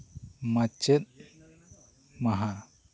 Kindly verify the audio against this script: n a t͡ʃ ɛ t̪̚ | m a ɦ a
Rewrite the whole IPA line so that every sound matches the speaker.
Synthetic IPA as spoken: m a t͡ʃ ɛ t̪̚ | m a ɦ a